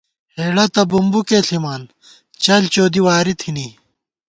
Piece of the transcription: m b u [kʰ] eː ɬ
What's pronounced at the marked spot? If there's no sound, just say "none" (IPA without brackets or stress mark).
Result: k